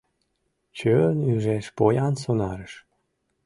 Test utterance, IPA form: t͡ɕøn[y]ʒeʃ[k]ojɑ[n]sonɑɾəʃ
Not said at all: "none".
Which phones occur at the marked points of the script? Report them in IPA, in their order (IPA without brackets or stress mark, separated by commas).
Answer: y, p, n